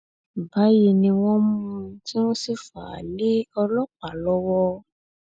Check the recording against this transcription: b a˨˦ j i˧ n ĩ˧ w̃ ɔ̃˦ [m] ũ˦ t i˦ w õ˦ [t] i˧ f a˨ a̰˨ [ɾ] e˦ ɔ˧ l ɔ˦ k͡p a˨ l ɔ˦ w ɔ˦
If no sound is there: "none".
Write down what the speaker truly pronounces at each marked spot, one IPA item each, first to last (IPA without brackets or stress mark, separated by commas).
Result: m, s, l